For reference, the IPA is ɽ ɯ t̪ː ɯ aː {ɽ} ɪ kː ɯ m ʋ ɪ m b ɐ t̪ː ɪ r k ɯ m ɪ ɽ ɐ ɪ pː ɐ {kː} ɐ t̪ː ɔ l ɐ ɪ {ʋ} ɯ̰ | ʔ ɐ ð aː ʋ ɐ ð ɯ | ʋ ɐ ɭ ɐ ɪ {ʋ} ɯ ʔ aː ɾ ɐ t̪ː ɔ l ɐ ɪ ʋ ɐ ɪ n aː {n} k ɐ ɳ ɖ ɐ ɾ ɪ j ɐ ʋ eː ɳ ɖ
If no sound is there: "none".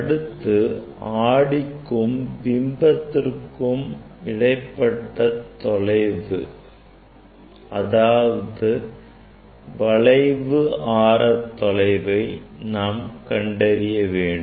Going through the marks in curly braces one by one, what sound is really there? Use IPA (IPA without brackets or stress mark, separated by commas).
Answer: ɽ, ʈː, ʋ, ʋ, m